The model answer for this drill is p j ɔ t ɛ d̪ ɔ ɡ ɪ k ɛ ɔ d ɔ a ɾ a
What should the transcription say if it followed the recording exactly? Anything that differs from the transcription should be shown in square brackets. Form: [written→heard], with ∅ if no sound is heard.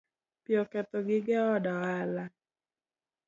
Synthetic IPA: p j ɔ [t→k] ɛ [d̪→t̪] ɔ ɡ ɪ [k→ɡ] ɛ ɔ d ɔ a [ɾ→l] a